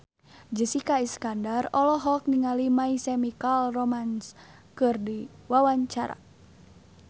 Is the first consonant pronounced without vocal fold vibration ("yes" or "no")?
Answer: no